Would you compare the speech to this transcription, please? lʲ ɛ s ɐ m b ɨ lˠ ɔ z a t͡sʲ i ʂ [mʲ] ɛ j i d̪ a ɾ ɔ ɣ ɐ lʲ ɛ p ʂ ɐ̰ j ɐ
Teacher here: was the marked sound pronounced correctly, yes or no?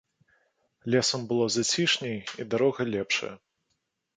no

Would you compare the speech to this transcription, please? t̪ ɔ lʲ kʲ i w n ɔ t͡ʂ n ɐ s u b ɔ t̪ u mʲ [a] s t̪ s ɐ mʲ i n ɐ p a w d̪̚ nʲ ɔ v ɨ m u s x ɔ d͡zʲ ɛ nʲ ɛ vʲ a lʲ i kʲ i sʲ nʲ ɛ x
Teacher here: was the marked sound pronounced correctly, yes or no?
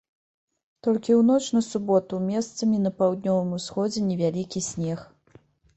no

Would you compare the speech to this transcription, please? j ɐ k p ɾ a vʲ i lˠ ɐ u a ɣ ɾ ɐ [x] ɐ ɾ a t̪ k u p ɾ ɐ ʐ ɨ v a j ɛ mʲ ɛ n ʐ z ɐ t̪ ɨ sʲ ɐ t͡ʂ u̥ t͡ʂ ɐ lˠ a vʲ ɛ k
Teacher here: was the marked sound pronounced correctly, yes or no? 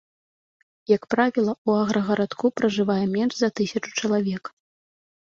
no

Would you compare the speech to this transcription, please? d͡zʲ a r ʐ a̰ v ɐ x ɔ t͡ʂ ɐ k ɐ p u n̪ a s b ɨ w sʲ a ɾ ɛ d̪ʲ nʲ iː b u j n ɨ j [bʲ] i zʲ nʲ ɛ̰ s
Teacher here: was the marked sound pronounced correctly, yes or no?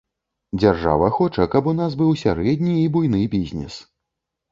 yes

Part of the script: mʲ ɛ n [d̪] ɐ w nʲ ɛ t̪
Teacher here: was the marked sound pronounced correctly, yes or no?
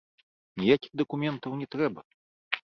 no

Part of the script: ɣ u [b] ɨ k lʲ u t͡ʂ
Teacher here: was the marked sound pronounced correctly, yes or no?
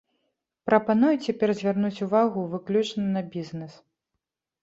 no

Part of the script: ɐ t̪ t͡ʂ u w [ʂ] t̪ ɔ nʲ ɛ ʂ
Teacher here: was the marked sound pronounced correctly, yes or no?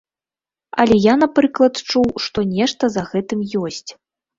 yes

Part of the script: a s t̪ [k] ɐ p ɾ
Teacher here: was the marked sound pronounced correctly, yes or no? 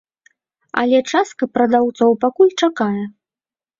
yes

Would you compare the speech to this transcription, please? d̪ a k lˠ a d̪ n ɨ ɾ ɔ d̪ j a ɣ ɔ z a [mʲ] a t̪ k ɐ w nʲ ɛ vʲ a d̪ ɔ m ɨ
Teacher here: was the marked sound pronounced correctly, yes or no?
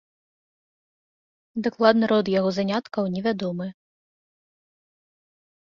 no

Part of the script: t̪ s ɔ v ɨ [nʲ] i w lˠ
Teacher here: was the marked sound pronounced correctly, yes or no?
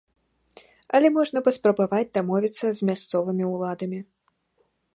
no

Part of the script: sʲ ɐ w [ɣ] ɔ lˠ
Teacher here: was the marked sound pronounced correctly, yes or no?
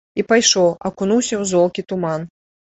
no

